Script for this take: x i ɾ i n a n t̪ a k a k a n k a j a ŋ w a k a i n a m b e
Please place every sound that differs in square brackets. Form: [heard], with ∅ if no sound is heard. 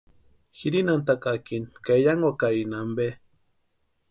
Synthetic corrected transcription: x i ɾ i n a n t̪ a k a k [i] n k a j a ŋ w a k a i n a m b e